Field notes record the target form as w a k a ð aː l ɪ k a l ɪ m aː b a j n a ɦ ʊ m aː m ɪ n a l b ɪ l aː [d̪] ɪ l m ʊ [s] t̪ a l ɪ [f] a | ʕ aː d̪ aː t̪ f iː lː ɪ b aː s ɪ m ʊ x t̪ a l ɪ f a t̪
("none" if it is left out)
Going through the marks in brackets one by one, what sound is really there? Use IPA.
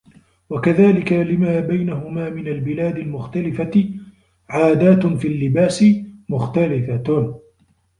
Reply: d̪, x, f

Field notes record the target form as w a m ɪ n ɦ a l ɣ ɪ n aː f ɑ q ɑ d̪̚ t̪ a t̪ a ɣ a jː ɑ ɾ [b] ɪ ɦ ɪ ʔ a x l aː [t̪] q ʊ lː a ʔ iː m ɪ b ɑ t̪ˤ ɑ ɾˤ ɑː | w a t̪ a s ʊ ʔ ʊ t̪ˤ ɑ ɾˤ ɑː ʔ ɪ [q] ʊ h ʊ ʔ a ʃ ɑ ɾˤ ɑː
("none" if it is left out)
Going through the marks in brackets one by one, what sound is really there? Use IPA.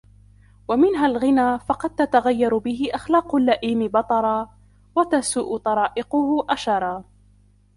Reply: b, none, q

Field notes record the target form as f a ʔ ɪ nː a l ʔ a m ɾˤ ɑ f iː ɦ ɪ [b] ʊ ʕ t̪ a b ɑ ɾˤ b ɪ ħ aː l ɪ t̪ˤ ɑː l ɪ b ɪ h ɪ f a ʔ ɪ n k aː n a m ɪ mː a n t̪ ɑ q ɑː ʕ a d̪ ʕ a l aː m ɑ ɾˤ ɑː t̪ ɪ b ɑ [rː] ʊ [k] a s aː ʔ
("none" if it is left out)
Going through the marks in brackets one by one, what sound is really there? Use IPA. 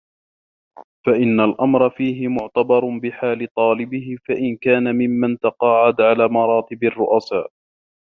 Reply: m, rː, ʔ

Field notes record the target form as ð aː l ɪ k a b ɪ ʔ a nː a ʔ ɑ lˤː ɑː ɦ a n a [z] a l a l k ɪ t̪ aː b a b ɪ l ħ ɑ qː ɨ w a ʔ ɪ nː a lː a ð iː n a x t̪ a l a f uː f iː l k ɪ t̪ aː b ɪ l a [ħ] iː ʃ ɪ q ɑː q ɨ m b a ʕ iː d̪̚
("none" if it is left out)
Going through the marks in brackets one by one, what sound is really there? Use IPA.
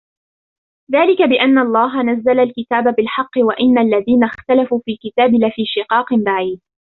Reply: zː, f

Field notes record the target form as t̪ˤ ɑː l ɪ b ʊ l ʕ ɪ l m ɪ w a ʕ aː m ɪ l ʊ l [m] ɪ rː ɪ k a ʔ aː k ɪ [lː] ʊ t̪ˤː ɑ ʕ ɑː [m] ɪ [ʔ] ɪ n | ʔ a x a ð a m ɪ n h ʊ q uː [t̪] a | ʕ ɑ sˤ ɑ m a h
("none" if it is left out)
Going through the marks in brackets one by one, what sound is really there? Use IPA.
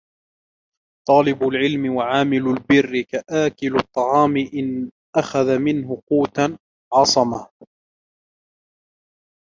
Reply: b, l, m, ʔ, t̪

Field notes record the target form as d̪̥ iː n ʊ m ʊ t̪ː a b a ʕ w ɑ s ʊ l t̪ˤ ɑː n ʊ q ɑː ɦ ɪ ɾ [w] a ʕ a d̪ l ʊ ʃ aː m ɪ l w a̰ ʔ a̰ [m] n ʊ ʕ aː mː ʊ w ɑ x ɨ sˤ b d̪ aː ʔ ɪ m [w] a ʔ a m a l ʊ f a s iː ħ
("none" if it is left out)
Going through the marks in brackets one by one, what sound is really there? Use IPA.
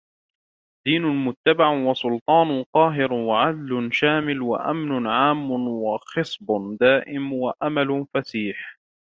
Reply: w, m, w

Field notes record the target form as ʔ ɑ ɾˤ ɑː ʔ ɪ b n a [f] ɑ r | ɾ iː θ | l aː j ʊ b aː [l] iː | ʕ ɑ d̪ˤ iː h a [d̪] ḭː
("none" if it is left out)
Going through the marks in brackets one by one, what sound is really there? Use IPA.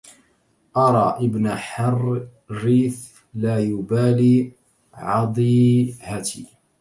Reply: ħ, l, t̪

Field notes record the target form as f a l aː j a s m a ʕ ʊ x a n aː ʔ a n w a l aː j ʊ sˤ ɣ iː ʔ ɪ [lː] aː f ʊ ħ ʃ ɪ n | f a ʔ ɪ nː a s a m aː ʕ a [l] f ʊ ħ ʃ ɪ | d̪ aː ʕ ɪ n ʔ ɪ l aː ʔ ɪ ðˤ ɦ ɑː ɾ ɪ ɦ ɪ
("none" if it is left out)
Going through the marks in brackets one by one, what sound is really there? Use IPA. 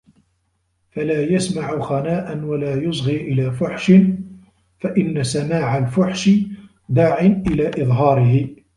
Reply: l, l

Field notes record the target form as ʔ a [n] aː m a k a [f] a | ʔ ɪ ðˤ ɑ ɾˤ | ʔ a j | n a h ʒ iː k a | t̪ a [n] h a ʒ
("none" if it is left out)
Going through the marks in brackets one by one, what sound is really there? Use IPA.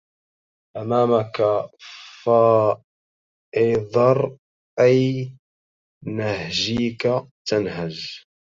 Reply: m, f, n

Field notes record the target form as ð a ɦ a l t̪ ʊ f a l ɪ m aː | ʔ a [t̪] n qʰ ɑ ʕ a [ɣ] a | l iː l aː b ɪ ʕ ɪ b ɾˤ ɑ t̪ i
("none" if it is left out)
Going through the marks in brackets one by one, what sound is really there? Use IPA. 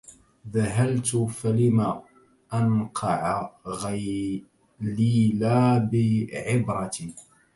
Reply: none, ɣ

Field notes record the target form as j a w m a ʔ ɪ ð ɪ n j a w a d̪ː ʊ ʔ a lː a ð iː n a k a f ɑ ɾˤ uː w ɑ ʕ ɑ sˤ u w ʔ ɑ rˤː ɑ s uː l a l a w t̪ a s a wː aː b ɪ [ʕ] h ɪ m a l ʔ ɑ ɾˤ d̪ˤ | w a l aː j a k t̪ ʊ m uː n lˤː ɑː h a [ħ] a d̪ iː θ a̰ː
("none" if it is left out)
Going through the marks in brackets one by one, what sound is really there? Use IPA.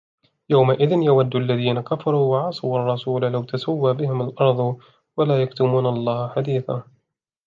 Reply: none, ħ

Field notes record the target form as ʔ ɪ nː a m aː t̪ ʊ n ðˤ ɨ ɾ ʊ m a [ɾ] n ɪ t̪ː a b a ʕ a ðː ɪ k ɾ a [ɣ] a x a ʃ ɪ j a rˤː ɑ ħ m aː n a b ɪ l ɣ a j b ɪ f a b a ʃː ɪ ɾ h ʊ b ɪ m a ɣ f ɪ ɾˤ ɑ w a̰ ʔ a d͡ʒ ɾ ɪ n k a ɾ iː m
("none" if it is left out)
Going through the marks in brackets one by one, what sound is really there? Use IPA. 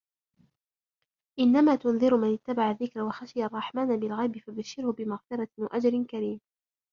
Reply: none, w

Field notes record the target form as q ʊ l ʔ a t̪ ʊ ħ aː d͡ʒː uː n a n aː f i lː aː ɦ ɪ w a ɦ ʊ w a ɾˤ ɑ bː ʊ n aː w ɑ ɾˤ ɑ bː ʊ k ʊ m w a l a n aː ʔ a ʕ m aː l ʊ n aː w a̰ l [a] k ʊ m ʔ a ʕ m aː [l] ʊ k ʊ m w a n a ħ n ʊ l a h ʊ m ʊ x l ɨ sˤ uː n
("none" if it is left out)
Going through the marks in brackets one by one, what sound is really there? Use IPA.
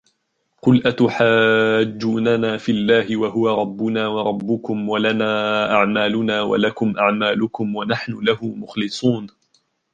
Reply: a, l

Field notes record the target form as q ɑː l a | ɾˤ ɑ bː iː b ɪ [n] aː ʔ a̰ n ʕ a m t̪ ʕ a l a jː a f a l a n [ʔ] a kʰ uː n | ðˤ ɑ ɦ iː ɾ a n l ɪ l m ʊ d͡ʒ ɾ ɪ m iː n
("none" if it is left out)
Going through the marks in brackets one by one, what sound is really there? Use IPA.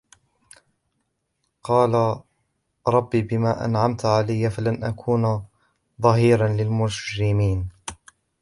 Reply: m, ʔ

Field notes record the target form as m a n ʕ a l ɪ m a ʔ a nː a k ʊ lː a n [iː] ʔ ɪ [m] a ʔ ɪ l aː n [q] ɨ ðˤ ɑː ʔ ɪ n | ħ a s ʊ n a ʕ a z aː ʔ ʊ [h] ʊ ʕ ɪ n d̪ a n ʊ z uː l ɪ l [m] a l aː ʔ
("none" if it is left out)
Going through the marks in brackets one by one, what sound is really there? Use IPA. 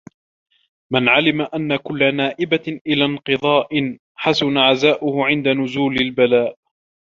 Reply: aː, b, q, h, b

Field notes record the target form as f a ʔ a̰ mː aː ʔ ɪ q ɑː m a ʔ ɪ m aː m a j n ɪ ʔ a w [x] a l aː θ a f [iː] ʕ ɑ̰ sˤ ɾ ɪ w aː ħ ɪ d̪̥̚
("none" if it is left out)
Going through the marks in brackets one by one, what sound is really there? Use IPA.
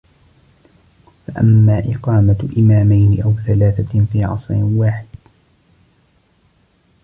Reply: θ, iː

